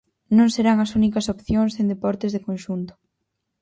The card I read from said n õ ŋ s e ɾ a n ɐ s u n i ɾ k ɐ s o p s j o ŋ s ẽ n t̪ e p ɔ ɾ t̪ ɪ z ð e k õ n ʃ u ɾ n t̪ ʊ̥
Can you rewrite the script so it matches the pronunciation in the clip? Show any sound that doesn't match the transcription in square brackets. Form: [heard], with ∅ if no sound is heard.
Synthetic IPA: n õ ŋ s e ɾ a [ŋ] ɐ s u n i [∅] k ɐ s o p [θ] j o ŋ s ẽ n [d̪] e p ɔ ɾ t̪ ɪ z ð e k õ n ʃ u [∅] n t̪ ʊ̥